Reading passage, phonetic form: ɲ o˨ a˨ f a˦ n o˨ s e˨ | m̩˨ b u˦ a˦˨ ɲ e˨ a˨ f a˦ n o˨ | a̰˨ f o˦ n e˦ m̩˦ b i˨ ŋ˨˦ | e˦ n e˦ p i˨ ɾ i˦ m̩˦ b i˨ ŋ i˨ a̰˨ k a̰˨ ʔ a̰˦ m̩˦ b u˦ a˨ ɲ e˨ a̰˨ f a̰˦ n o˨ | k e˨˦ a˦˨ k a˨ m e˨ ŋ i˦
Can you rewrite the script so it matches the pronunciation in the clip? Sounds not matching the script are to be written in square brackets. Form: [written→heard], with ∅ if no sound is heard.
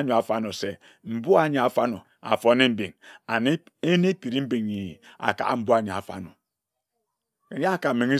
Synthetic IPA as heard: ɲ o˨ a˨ f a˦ n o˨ s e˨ | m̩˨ b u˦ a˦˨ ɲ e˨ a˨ f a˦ n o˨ | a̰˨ f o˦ n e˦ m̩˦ b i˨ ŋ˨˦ | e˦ n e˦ p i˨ ɾ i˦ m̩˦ b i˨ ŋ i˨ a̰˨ k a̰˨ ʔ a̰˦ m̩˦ b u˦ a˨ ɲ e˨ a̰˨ f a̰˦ n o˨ | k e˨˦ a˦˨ k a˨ m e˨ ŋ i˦